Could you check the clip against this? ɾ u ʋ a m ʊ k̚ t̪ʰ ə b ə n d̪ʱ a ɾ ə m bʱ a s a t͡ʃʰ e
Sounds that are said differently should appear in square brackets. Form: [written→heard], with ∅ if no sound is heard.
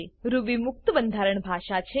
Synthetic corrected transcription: ɾ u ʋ [a→i] m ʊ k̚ [t̪ʰ→t̪] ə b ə n d̪ʱ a ɾ ə [m→ɳ] bʱ a [s→ʃ] a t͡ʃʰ e